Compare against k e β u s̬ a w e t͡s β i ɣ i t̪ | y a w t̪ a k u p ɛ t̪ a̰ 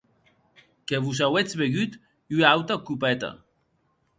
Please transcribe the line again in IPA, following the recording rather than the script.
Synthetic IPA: k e β u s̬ a w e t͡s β e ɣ y t̪ | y a w t̪ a k u p ɛ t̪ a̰

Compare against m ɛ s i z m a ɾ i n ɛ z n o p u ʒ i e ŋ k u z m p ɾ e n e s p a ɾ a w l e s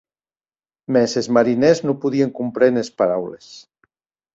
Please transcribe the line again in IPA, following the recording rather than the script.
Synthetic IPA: m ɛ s e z m a ɾ i n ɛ z n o p u ð i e ŋ k u m p ɾ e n e s p a ɾ a w l e s

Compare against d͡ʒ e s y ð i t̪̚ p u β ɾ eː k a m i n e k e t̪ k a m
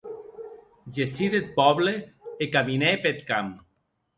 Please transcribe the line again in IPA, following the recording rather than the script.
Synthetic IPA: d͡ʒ e s i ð e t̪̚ p ɔ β l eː k a m i n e p e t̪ k a m

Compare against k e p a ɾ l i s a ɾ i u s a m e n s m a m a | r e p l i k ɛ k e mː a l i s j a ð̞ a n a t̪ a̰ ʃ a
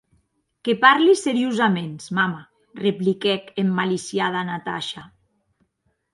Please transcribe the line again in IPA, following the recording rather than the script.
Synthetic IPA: k e p a ɾ l i s e ɾ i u z a m e n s m a m a | r e p l i k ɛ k e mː a l i s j a ð̞ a n a t̪ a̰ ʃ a

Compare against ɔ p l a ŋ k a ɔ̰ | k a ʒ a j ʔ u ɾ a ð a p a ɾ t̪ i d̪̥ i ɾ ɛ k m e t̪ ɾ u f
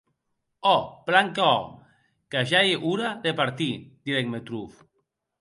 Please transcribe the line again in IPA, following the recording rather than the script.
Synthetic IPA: ɔ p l a ŋ k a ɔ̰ | k a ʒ a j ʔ u ɾ a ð e p a ɾ t̪ i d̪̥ i ɾ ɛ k m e t̪ ɾ u f

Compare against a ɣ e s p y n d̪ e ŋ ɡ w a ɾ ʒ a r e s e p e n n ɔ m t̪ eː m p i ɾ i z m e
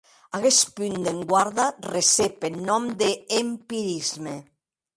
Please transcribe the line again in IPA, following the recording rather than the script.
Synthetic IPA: a ɣ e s p y n d̪ e ŋ ɡ w a ɾ ð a r e s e p e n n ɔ m d̪ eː m p i ɾ i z m e

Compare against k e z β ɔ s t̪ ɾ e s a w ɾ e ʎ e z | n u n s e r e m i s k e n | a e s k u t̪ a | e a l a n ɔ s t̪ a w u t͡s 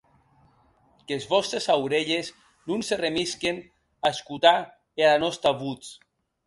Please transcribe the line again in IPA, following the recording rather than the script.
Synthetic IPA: k e z β ɔ s t̪ ɾ e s a w ɾ e ʎ e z | n u n s e r e m i s k e n | a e s k u t̪ a | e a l a n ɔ s t̪ a β u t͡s

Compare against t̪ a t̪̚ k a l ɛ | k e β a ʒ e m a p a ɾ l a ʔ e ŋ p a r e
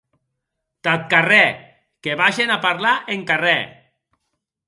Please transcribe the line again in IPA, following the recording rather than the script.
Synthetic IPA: t̪ a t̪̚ k a r ɛ | k e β a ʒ e n a p a ɾ l a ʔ e ŋ k a r ɛ

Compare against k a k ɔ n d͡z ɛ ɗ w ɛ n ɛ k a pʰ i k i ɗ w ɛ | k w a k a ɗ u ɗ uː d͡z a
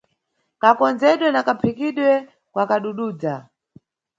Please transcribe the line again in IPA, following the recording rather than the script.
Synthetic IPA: k a k ɔ n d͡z ɛ ɗ w ɛ n a k a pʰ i k i ɗ w ɛ | k w a k a ɗ u ɗ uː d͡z a

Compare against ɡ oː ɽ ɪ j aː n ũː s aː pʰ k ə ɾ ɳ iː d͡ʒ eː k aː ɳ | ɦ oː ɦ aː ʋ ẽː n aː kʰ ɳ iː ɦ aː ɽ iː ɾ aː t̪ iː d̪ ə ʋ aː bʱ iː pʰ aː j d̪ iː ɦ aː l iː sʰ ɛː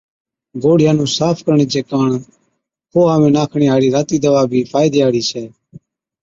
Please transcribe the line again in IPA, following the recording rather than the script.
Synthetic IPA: ɡ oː ɽ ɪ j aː n ũː s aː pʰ k ə ɾ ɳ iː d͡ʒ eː k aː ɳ | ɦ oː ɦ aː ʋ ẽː n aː kʰ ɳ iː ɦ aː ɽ iː ɾ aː t̪ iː d̪ ə ʋ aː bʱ iː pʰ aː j d̪ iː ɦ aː ɽ iː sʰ ɛː

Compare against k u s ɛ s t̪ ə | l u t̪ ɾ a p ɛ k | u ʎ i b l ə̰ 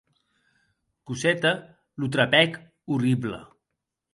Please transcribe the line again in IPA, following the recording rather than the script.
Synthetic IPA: k u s ɛ t̪ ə | l u t̪ ɾ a p ɛ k | u r i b l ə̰

